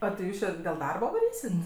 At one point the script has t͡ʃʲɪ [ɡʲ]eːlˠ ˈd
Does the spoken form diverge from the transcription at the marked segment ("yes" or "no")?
yes